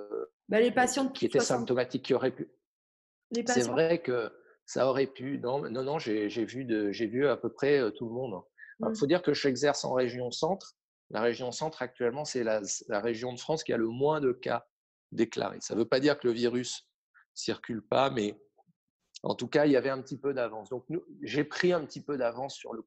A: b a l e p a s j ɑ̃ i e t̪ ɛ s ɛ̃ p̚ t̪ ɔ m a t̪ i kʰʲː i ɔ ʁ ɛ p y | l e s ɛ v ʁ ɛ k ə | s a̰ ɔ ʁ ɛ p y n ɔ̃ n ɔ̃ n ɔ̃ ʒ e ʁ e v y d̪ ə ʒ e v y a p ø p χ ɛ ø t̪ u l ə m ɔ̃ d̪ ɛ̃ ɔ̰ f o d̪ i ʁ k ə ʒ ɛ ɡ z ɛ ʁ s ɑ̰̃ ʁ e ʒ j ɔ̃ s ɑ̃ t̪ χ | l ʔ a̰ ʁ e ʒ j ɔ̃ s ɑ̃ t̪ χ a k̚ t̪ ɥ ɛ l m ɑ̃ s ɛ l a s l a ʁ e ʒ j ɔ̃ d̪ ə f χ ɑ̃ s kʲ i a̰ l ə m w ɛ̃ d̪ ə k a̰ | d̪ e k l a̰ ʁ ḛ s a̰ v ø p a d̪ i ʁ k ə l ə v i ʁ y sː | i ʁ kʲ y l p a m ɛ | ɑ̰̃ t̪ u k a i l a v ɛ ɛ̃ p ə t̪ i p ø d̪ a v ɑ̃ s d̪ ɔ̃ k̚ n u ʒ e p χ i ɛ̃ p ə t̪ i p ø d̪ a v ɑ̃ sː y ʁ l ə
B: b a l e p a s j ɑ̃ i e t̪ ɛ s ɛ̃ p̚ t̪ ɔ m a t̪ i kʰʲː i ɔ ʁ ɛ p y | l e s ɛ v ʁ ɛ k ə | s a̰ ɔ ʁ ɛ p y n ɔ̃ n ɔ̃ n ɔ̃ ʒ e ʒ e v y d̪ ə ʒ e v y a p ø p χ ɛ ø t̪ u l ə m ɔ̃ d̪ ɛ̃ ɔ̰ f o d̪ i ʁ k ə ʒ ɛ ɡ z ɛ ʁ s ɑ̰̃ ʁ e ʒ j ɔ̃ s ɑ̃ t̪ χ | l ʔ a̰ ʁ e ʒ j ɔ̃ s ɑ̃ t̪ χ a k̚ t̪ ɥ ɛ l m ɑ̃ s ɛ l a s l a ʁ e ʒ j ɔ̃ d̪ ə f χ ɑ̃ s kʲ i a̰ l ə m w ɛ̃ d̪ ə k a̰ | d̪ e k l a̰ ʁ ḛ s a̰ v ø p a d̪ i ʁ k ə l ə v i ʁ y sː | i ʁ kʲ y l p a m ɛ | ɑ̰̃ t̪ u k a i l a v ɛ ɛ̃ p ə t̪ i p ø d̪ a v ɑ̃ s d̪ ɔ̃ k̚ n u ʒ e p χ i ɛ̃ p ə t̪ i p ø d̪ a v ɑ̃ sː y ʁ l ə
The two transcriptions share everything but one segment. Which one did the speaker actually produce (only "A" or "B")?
B